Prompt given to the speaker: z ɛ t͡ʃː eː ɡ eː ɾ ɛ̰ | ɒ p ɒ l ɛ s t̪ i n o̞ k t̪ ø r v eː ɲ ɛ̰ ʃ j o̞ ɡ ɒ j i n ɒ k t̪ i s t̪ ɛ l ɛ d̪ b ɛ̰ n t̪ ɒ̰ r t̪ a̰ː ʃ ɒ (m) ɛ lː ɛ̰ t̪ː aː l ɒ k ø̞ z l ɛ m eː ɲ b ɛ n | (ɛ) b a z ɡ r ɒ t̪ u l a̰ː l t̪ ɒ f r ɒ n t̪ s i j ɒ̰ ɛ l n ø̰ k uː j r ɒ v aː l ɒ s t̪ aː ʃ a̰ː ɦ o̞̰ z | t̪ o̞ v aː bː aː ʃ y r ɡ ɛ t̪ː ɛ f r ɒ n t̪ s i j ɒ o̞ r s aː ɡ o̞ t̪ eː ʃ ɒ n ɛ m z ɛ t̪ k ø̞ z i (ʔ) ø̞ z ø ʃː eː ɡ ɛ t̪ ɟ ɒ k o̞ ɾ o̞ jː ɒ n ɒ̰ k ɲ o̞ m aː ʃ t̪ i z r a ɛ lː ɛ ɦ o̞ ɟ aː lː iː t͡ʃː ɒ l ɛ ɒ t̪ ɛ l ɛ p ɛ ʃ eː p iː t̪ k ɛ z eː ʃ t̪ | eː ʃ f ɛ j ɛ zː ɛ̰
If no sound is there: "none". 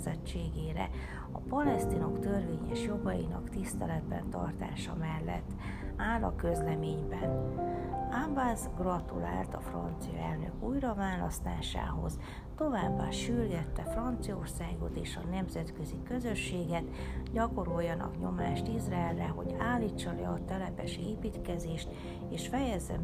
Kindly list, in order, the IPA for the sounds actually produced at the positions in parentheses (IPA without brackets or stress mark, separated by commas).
m, a, k